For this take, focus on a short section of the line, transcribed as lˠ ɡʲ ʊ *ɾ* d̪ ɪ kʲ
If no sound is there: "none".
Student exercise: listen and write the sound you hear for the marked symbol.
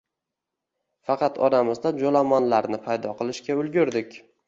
ɾ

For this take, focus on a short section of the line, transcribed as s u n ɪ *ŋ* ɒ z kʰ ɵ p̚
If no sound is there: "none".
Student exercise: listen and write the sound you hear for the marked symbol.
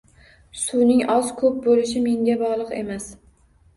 ŋ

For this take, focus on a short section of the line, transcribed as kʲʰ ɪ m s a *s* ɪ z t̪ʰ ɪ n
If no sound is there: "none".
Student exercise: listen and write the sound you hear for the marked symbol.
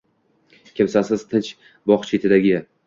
s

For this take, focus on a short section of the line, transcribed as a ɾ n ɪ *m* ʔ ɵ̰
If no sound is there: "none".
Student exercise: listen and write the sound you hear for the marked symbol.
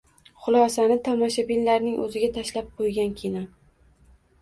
ŋ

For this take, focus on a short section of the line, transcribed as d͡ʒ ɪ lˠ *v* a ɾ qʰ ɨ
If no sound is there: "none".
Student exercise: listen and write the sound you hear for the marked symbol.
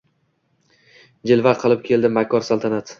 v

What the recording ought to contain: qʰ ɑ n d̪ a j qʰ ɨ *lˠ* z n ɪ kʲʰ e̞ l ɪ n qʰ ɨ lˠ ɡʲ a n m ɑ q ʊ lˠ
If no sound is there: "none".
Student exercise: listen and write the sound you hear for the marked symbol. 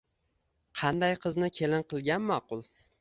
none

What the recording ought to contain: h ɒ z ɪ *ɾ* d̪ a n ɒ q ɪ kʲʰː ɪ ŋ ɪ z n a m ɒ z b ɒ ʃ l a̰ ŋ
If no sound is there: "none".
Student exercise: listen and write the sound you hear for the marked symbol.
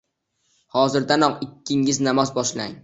ɾ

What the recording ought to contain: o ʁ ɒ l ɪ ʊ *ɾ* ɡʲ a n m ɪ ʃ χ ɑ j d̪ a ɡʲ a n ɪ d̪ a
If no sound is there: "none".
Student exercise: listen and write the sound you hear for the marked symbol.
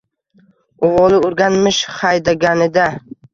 ɾ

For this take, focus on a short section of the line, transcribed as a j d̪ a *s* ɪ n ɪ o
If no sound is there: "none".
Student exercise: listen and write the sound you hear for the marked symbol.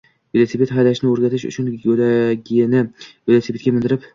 ʃ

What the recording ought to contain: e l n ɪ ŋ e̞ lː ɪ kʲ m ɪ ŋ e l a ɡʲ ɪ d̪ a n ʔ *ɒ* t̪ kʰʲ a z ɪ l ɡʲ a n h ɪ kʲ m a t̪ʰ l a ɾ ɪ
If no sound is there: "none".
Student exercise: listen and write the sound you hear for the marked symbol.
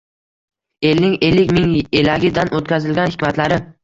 o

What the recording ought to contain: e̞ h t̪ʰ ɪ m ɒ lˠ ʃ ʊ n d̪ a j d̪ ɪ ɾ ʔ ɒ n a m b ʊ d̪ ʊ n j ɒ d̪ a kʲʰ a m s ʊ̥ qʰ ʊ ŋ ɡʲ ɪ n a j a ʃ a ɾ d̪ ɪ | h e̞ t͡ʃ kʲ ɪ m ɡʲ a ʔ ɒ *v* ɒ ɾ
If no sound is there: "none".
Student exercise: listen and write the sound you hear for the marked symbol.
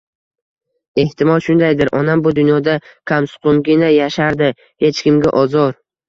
z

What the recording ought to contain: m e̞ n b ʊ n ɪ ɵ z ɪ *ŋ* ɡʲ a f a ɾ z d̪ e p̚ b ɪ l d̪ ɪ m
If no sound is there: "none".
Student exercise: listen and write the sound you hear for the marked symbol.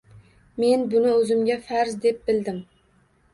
m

